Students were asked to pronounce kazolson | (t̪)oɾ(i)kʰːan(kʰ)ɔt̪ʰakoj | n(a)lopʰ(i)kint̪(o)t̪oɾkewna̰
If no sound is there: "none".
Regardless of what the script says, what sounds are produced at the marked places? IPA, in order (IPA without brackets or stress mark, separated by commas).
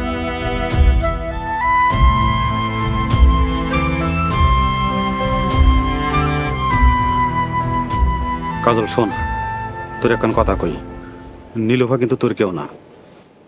t̪, ɛ, k, i, a, u